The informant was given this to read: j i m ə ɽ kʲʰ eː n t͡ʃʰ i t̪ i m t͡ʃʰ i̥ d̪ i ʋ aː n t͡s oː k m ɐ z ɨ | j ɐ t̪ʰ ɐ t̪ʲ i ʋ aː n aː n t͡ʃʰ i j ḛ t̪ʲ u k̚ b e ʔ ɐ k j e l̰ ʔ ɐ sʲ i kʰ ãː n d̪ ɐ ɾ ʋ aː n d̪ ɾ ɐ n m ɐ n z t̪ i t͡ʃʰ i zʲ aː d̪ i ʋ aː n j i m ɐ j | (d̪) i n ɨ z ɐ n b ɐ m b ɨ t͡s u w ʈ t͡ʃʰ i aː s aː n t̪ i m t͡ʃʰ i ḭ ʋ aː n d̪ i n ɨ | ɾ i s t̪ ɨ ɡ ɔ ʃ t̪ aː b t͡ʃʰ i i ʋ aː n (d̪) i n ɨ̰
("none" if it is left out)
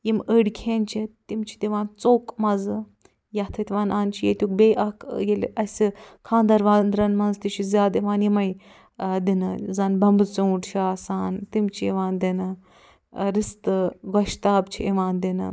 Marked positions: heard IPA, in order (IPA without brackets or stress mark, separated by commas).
d̪, d̪